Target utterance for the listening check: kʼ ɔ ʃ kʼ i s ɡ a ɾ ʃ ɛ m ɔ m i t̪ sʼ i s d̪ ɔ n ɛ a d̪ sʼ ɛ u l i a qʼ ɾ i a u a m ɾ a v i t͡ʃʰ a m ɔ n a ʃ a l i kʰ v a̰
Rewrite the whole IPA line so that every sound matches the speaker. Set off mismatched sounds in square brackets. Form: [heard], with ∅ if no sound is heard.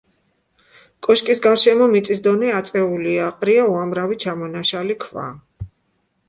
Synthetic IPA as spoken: kʼ ɔ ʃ kʼ i s ɡ a ɾ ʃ ɛ m ɔ m i t̪ sʼ i s d̪ ɔ n ɛ a [t̪] sʼ ɛ u l i a qʼ ɾ i a u a m ɾ a v i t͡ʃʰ a m ɔ n a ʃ a l i kʰ v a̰